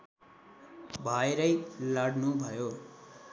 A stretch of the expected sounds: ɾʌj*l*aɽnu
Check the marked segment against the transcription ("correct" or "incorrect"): correct